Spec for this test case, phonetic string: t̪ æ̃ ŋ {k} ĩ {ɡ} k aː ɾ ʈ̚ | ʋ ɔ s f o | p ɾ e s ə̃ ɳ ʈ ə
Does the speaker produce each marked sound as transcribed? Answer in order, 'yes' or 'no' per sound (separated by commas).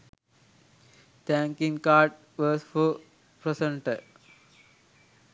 yes, no